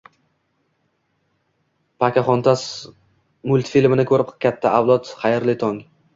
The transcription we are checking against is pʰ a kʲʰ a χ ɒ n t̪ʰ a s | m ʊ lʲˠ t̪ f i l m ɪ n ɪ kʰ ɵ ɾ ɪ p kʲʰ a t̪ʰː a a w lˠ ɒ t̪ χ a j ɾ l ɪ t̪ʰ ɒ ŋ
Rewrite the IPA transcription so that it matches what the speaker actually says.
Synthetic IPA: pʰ a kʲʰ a χ ɒ n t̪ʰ a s | m ʊ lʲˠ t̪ f i l m ɪ n ɪ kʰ ɵ ɾ ɪ p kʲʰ a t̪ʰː a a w lˠ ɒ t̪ χ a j ɾ l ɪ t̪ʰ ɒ ŋ